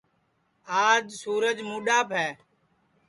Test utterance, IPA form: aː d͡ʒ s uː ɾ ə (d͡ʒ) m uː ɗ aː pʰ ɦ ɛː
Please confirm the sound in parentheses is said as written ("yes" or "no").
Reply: yes